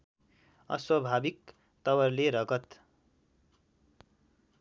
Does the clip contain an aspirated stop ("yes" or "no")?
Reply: no